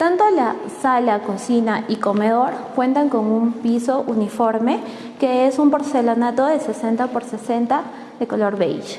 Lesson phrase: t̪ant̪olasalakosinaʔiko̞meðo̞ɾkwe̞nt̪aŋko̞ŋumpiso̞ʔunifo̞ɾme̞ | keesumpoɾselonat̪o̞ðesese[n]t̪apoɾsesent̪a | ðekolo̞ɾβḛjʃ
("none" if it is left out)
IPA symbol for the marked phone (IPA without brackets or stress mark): n